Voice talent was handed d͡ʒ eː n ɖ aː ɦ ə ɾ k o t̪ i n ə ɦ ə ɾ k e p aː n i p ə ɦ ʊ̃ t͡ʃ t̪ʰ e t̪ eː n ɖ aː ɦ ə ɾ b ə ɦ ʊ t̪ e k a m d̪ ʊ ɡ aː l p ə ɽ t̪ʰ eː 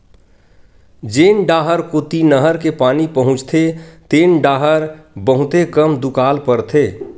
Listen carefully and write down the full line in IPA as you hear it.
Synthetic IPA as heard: d͡ʒ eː n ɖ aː ɦ ə ɾ k o t̪ i n ə ɦ ə ɾ k e p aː n i p ə ɦ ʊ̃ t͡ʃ t̪ʰ e t̪ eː n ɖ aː ɦ ə ɾ b ə ɦ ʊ t̪ e k ə m d̪ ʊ k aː l p ə ɾ t̪ʰ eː

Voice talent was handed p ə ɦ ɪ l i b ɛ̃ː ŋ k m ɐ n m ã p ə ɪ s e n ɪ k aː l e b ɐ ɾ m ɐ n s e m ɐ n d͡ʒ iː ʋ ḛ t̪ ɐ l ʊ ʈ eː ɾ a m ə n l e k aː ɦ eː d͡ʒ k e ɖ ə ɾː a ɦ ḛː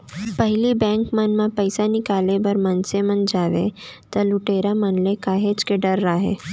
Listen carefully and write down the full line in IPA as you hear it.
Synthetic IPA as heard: p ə ɦ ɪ l i b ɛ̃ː ŋ k m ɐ n m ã p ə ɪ s a n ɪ k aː l e b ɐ ɾ m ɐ n s e m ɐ n d͡ʒ aː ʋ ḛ t̪ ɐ l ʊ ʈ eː ɾ a m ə n l e k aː ɦ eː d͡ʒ k e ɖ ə ɾː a ɦ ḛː

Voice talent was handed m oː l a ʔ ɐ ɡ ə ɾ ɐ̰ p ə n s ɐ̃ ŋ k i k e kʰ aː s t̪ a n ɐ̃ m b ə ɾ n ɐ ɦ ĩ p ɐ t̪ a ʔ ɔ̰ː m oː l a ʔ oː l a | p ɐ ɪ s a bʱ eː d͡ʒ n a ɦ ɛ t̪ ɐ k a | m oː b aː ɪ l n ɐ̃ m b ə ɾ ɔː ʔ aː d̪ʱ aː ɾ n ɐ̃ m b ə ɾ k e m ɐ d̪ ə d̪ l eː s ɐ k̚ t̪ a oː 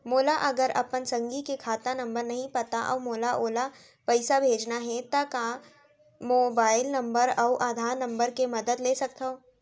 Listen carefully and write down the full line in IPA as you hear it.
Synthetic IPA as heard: m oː l a ʔ ɐ ɡ ə ɾ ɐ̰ p ə n s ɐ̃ ŋ ɡ i k e kʰ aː t̪ a n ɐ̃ m b ə ɾ n ɐ ɦ ĩ p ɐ t̪ a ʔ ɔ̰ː m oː l a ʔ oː l a | p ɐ ɪ s a bʱ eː d͡ʒ n a ɦ ɛ t̪ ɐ k a | m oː b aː ɪ l n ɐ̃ m b ə ɾ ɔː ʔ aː d̪ʱ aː ɾ n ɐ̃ m b ə ɾ k e m ɐ d̪ ə d̪ l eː s ɐ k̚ t̪ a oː

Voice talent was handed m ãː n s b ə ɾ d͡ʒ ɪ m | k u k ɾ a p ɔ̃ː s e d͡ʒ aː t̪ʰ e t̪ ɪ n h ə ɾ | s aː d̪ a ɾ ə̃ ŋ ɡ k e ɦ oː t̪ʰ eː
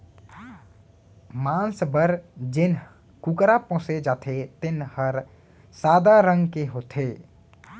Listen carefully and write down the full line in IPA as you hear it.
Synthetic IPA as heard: m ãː n s b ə ɾ d͡ʒ ɪ n | k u k ɾ a p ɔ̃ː s e d͡ʒ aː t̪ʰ e t̪ ɪ n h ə ɾ | s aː d̪ a ɾ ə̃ ŋ ɡ k e ɦ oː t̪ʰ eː

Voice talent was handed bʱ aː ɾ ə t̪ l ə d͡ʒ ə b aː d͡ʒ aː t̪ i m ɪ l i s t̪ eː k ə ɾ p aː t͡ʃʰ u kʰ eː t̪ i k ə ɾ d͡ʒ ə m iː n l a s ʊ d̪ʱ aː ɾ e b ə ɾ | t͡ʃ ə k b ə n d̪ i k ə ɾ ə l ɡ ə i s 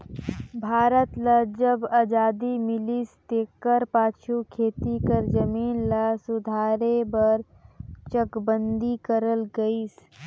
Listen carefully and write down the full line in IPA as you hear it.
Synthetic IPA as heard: bʱ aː ɾ ə t̪ l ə d͡ʒ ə b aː d͡ʒ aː d̪ i m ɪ l i s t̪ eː k ə ɾ p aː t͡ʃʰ u kʰ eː t̪ i k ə ɾ d͡ʒ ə m iː n l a s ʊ d̪ʱ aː ɾ e b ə ɾ | t͡ʃ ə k b ə n d̪ i k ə ɾ ə l ɡ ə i s

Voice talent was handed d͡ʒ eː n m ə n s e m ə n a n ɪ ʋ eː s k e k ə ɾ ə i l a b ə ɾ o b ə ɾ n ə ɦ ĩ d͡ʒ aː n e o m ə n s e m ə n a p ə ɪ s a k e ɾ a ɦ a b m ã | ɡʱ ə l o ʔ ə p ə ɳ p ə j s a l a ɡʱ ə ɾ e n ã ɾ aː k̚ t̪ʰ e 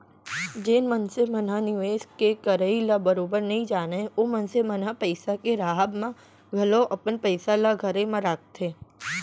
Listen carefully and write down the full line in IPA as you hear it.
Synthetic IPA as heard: d͡ʒ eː n m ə n s e m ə n a n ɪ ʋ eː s k e k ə ɾ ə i l a b ə ɾ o b ə ɾ n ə ɦ ĩ d͡ʒ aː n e o m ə n s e m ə n a p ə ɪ s a k e ɾ a ɦ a b m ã | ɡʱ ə l o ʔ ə p ə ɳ p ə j s a l a ɡʱ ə ɾ e m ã ɾ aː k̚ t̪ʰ e

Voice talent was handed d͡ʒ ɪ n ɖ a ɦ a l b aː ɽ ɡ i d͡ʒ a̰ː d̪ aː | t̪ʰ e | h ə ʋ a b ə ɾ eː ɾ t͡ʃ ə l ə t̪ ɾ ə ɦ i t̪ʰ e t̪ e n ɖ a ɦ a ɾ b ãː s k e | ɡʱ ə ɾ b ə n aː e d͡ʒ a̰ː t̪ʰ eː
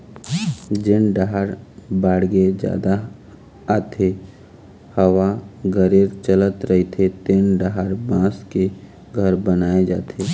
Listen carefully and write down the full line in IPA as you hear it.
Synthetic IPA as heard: d͡ʒ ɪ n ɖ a ɦ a ɾ b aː ɽ ɡ e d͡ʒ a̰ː d̪ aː | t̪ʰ e | h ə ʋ a ɡ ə ɾ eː ɾ t͡ʃ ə l ə t̪ ɾ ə ɦ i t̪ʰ e t̪ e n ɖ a ɦ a ɾ b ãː s k e | ɡʱ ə ɾ b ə n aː e d͡ʒ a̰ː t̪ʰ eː

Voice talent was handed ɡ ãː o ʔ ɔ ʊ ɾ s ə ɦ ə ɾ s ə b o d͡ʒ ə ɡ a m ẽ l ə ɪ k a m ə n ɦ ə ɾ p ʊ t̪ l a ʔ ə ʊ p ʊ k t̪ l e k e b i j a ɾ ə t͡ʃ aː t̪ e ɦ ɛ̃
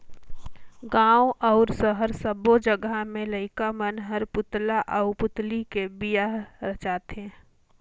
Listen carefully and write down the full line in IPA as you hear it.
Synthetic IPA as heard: ɡ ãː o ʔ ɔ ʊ ɾ s ə ɦ ə ɾ s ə b o d͡ʒ ə ɡ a m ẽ l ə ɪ k a m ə n ɦ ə ɾ p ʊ t̪ l a ʔ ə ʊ p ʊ t̪ l i k e b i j a ɾ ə t͡ʃ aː t̪ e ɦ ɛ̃

